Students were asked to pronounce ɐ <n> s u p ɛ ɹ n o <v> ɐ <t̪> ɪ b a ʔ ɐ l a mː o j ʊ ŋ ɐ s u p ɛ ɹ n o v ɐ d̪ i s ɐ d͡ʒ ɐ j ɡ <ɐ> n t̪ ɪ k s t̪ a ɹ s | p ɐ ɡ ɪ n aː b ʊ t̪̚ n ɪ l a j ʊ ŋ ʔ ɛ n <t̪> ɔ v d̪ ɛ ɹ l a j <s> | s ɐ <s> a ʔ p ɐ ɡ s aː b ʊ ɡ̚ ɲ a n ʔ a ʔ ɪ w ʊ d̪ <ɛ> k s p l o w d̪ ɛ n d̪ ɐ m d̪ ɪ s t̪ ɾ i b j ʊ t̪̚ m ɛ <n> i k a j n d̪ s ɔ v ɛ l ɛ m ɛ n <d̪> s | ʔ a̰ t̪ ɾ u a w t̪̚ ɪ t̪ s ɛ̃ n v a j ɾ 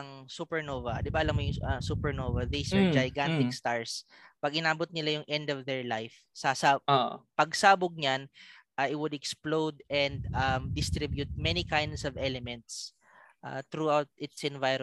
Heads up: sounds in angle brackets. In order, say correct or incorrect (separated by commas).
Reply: incorrect, correct, incorrect, incorrect, incorrect, incorrect, correct, correct, correct, incorrect